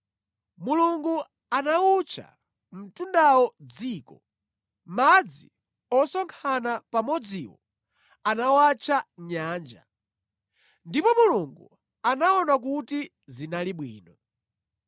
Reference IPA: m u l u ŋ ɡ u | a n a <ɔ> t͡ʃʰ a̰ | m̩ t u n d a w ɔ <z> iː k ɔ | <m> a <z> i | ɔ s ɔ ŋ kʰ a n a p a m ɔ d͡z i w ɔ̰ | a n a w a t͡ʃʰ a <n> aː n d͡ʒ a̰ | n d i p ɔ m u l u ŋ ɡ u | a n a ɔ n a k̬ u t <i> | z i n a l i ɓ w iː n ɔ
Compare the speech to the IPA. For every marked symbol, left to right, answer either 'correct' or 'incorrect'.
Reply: incorrect, incorrect, correct, incorrect, incorrect, correct

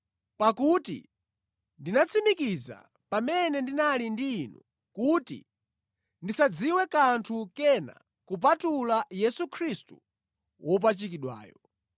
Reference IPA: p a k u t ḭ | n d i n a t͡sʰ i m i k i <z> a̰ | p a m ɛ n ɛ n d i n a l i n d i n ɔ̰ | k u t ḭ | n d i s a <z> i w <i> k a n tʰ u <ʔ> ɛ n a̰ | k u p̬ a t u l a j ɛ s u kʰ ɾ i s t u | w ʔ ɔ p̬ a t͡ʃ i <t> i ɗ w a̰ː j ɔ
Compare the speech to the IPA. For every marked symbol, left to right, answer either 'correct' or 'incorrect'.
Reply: correct, incorrect, incorrect, incorrect, incorrect

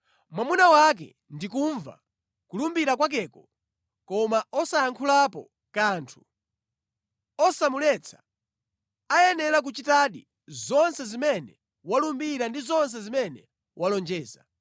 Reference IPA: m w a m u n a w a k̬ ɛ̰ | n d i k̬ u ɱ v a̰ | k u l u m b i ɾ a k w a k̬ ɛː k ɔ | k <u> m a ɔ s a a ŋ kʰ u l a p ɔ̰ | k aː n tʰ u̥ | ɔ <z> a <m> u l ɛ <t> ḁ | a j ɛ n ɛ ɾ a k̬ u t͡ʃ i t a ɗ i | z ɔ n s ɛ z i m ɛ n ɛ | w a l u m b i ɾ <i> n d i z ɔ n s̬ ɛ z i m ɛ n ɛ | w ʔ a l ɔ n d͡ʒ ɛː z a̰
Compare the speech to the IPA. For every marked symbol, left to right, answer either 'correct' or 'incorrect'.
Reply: incorrect, incorrect, correct, incorrect, incorrect

